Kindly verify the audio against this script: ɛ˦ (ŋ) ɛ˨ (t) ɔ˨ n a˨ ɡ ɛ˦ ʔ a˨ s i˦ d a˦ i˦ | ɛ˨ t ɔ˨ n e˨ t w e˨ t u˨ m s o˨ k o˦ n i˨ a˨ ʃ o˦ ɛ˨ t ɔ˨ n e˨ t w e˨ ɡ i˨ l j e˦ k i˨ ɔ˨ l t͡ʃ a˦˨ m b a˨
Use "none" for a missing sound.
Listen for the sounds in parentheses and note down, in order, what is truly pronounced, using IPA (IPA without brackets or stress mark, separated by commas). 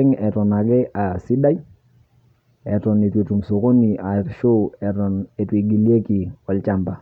ŋ, t